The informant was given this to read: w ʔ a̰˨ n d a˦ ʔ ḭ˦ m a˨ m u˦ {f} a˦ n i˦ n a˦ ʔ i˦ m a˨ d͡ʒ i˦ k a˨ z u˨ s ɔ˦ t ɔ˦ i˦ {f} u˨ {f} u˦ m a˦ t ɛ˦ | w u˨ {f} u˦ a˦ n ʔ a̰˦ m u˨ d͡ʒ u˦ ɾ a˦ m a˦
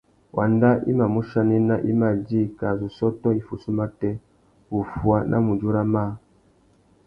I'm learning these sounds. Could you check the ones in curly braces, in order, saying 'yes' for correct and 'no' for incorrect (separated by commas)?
no, yes, no, yes